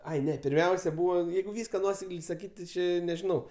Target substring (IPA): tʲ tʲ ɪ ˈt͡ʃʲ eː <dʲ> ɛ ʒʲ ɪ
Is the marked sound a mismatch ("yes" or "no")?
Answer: yes